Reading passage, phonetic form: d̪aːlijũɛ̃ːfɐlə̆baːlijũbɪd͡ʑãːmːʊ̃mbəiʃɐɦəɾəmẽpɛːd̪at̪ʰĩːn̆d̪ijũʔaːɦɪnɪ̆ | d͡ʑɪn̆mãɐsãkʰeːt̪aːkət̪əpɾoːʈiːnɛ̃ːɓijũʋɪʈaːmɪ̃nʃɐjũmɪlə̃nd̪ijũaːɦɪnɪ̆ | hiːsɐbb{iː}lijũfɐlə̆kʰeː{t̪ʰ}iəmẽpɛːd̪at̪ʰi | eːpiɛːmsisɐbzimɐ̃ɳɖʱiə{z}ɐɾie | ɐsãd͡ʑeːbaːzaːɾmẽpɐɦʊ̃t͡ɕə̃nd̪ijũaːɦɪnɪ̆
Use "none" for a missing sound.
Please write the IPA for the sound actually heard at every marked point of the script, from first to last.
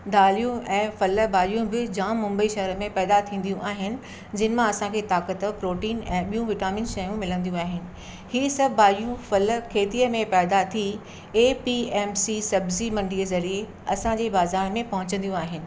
aː, t̪, z

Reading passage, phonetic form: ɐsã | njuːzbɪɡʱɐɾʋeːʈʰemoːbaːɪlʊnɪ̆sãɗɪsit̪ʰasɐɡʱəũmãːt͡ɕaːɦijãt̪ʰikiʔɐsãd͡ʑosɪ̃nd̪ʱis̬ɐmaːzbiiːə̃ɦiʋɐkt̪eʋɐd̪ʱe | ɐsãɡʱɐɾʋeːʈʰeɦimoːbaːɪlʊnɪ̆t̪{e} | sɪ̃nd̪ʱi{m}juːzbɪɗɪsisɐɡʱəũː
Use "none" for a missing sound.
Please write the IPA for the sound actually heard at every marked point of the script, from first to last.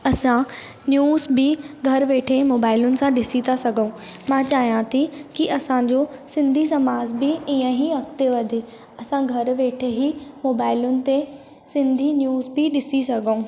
e, n

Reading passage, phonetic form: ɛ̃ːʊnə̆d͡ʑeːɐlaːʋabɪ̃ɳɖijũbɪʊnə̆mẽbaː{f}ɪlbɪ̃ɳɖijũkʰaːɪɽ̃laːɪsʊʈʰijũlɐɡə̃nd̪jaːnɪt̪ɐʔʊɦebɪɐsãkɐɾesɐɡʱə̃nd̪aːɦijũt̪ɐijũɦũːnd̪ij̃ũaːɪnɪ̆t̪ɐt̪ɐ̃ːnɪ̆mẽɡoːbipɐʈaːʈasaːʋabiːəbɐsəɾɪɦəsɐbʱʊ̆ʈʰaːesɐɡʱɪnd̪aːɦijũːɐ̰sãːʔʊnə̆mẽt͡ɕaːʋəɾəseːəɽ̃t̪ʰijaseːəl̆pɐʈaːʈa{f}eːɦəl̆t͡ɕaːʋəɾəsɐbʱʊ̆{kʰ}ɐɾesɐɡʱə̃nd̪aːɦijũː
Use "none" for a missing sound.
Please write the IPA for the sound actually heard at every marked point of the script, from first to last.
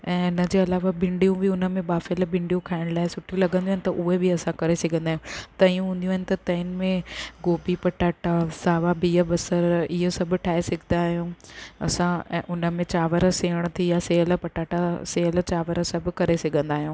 f, s, k

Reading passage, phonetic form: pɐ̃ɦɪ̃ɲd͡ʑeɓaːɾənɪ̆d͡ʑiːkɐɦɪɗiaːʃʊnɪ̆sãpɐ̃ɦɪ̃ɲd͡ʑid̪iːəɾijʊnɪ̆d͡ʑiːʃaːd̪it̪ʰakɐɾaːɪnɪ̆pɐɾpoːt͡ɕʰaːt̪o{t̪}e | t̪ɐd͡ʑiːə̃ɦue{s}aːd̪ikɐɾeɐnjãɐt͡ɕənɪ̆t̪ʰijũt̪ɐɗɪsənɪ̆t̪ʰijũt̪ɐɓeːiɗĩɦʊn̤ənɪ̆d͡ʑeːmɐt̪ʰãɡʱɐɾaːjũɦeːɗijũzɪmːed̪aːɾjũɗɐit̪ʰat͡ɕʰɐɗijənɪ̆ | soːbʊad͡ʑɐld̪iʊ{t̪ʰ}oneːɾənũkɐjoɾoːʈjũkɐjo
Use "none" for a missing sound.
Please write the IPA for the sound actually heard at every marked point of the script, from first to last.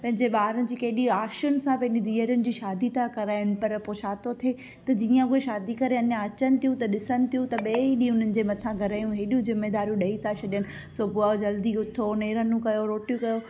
t̪ʰ, ʃ, t̪ʰ

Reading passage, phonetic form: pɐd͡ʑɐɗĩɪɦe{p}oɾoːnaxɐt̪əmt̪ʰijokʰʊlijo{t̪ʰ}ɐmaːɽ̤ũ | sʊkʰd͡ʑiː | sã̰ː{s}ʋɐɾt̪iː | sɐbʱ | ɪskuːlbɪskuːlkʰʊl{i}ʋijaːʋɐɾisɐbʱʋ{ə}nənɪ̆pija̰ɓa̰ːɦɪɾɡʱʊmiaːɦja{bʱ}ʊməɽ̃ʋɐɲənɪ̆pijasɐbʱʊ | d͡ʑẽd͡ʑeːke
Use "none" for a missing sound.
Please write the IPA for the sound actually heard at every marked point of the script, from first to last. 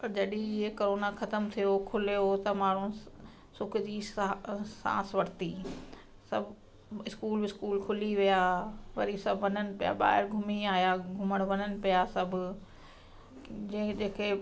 k, t̪, s, i, ɐ, ɡʱ

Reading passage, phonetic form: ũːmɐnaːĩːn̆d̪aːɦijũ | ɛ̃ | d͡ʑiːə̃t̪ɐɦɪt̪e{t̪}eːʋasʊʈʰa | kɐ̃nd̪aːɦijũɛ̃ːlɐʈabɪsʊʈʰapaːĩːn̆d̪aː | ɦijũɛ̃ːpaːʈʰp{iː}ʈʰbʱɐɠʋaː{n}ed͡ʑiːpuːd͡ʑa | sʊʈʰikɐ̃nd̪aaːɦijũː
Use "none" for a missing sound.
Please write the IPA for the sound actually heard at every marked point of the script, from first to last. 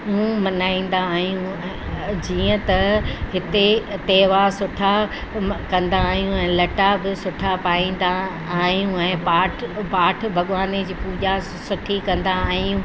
t̪, aː, n

